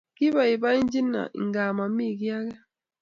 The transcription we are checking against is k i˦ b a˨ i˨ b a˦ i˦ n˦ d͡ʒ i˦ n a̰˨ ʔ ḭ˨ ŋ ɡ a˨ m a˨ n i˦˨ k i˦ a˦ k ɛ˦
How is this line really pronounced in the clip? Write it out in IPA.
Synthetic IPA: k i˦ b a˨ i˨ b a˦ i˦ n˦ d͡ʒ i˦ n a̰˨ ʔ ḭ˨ ŋ ɡ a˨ m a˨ m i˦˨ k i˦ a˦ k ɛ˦